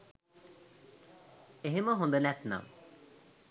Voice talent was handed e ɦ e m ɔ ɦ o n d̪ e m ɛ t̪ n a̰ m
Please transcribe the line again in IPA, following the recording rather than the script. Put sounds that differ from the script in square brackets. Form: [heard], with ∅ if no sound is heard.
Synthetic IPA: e ɦ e m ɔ ɦ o n d̪ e [n] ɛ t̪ n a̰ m